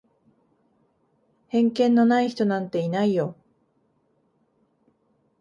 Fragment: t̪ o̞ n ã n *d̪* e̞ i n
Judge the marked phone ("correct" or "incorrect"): incorrect